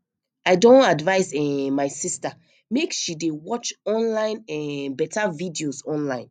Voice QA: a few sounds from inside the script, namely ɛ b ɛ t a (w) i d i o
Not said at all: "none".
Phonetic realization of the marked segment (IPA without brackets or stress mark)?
v